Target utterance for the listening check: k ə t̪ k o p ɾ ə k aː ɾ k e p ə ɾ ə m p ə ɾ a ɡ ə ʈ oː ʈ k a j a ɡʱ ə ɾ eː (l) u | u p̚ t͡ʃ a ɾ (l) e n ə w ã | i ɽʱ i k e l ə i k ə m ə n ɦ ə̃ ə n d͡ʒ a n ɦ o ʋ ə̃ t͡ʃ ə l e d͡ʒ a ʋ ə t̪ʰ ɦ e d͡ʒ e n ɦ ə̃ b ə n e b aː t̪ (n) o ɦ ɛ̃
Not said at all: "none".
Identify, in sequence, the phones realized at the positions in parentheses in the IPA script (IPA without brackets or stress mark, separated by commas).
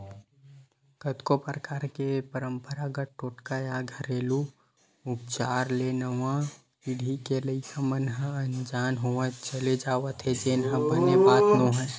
l, l, n